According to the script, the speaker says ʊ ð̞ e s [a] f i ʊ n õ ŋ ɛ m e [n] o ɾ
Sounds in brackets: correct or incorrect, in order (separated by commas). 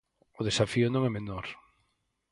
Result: correct, correct